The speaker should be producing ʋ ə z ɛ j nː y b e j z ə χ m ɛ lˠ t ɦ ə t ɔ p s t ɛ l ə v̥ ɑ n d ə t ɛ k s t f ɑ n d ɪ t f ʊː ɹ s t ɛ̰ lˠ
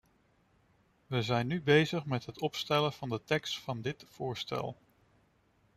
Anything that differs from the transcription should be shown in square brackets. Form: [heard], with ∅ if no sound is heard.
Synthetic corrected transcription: ʋ ə z ɛ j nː y b e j z ə χ m ɛ [∅] t ɦ ə t ɔ p s t ɛ l ə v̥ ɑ n d ə t ɛ k s t f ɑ n d ɪ t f ʊː ɹ s t ɛ̰ lˠ

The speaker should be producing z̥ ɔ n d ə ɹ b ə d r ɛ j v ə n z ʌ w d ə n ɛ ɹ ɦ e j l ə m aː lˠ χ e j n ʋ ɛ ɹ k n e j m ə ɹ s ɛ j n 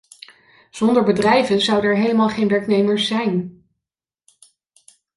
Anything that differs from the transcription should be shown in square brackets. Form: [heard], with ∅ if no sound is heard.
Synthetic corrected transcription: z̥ ɔ n d ə ɹ b ə d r ɛ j v ə n z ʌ w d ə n ɛ ɹ ɦ e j l ə m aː lˠ χ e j n ʋ ɛ ɹ k n e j m ə ɹ s ɛ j n

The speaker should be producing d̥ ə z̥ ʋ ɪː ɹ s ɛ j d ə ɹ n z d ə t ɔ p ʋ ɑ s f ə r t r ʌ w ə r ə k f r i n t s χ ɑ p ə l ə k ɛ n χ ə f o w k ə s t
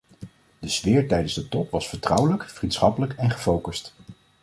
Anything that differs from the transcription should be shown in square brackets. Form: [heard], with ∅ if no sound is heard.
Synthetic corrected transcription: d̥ ə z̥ ʋ ɪː ɹ [t] ɛ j d ə [∅] n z d ə t ɔ p ʋ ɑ s f ə [ɹ] t r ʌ w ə [l] ə k f r i n t s χ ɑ p ə l ə k ɛ n χ ə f o w k ə s t

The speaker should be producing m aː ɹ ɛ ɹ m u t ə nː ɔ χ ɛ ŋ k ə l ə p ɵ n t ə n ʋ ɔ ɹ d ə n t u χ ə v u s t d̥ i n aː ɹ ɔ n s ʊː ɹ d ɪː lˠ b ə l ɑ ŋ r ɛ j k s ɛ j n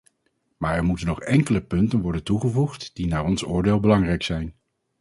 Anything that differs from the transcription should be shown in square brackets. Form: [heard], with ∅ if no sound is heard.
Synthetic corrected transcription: m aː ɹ ɛ ɹ m u t ə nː ɔ χ ɛ ŋ k ə l ə p ɵ n t ə n ʋ ɔ ɹ d ə n t u χ ə v u [χ] t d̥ i n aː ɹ ɔ n s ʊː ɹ d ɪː lˠ b ə l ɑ ŋ r ɛ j k s ɛ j n

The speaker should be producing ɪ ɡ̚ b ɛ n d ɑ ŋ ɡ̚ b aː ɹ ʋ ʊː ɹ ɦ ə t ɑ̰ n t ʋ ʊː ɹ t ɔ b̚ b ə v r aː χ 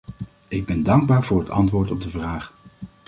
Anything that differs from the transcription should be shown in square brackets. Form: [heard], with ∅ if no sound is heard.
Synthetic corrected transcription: ɪ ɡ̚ b ɛ n d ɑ ŋ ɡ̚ b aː ɹ [v] ʊː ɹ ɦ ə t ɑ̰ n t ʋ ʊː ɹ t ɔ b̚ [d] ə v r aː χ

